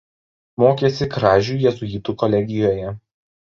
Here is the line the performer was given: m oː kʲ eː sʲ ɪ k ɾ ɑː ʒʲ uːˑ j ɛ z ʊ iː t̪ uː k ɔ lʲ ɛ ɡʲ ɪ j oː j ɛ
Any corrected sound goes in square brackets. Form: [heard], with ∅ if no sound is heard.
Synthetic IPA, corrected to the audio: m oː kʲ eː sʲ ɪ k ɾ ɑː ʒʲ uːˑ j ɛ z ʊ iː t̪ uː k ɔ lʲ ɛ ɡʲ ɪ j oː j ɛ